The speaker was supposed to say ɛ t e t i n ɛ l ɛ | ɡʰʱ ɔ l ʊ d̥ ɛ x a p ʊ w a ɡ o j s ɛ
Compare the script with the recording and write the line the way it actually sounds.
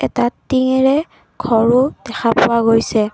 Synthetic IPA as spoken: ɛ t a t i ŋ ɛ ɹ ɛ | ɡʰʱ ɔ ɹ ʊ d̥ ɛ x a p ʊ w a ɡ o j s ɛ